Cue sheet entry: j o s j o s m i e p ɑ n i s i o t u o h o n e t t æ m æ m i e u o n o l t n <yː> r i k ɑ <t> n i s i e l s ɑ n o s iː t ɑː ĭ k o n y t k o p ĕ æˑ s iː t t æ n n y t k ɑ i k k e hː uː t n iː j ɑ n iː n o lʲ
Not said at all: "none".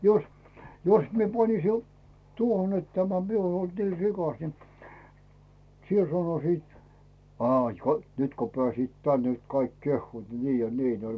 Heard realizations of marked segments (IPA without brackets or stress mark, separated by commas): iː, s